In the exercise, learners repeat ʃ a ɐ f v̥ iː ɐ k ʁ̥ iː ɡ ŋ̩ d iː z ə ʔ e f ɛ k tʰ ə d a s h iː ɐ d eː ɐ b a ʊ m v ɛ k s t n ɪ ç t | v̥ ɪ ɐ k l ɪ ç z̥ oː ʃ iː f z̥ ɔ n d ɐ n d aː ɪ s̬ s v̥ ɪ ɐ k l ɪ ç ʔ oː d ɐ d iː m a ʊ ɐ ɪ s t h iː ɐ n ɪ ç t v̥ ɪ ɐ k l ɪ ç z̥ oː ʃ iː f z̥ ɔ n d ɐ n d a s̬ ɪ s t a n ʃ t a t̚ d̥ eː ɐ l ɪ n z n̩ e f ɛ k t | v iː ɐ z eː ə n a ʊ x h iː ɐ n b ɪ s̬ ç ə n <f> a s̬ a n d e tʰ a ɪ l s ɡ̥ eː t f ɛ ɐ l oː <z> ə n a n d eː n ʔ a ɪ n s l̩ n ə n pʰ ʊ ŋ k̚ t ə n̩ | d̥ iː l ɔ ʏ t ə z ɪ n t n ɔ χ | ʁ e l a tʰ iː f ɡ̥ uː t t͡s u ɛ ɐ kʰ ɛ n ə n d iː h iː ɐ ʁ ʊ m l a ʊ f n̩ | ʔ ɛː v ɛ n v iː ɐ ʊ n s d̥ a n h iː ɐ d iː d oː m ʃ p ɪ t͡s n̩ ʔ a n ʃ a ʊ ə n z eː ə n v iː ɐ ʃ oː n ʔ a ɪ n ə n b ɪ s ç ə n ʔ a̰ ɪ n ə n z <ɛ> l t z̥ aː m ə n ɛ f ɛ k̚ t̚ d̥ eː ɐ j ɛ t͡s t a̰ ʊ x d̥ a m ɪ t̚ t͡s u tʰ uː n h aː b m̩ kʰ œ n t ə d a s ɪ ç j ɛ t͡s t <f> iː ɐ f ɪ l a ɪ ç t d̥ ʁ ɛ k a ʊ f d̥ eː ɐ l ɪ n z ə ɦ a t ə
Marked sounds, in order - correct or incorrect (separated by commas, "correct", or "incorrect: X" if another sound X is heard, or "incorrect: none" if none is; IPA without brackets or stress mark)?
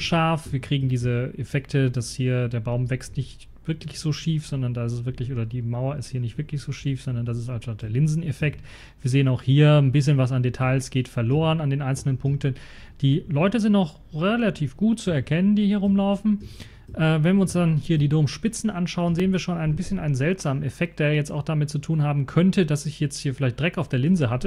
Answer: incorrect: v, incorrect: ʁ, correct, incorrect: h